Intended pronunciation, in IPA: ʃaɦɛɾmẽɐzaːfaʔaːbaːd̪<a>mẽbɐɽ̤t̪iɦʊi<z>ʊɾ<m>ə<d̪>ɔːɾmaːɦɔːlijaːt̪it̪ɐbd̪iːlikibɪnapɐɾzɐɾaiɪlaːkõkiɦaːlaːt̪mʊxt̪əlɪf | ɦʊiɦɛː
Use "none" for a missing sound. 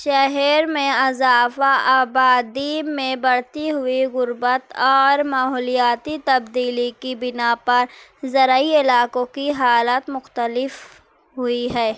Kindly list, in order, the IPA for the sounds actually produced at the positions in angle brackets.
i, ɣ, b, t̪

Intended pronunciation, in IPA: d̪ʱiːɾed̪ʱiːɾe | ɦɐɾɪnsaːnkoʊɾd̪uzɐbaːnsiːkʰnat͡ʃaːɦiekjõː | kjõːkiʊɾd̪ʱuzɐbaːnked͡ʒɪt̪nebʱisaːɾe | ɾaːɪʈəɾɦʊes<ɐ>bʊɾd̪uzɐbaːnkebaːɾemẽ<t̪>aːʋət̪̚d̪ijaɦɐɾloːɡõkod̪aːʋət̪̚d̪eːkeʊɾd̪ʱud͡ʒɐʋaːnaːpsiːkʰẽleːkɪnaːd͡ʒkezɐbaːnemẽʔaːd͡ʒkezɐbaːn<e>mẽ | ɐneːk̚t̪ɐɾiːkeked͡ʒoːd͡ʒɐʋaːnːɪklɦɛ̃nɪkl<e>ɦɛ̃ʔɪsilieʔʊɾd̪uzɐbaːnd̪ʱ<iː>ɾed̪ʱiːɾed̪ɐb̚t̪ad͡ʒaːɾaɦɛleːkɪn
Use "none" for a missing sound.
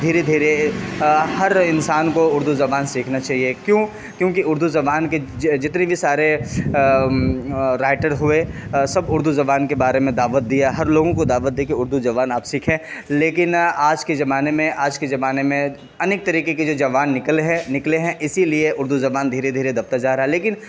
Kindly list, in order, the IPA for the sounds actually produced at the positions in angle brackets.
ɐ, d̪, e, e, iː

